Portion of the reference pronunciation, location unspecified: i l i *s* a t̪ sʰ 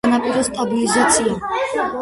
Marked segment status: incorrect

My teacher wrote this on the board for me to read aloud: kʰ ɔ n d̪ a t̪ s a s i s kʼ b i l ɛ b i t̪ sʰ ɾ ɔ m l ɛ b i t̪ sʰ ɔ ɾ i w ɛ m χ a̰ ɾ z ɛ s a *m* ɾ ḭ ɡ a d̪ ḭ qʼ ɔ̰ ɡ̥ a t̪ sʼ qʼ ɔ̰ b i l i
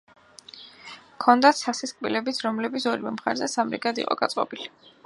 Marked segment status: correct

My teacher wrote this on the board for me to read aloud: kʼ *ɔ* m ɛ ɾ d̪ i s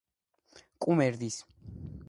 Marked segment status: incorrect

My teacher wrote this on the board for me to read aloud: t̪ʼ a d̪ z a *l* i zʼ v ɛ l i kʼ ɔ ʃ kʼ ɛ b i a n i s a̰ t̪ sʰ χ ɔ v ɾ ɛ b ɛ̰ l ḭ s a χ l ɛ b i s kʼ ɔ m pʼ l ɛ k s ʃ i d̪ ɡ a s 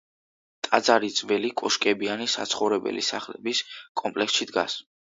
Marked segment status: incorrect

